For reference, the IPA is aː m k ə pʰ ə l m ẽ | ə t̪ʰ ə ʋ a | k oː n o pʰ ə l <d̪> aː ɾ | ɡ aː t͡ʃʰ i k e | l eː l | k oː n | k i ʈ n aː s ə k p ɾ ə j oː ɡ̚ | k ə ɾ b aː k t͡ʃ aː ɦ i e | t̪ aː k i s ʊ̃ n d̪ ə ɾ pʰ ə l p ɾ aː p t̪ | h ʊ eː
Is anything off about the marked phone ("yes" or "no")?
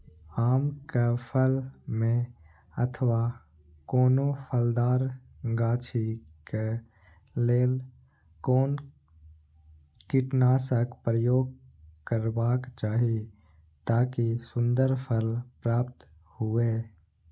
no